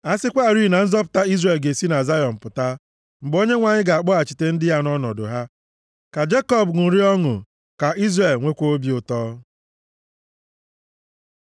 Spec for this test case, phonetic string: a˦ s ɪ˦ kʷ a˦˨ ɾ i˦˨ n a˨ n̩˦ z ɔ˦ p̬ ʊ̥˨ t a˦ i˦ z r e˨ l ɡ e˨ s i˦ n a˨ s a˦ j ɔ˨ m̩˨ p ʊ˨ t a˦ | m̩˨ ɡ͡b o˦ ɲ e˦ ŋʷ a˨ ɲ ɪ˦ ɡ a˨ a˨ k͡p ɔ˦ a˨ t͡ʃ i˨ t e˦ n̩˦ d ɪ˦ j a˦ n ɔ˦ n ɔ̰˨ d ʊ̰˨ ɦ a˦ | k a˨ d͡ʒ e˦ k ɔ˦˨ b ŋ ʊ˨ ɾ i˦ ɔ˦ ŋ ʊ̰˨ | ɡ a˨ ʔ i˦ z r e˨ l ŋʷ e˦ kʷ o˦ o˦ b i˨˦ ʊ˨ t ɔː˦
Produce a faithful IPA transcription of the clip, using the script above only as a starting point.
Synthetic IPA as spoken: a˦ s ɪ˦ kʷ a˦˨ ɾ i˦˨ n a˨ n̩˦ z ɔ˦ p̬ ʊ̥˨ t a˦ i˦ z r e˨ l ɡ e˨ s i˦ n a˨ z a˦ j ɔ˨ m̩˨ p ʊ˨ t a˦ | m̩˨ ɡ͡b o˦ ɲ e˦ ŋʷ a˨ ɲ ɪ˦ ɡ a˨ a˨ k͡p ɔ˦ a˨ t͡ʃ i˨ t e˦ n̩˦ d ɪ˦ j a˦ n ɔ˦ n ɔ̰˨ d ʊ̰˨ ɦ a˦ | k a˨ d͡ʒ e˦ k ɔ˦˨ b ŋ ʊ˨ ɾ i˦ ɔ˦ ŋ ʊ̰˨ | k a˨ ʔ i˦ z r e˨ l ŋʷ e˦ kʷ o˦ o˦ b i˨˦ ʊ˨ t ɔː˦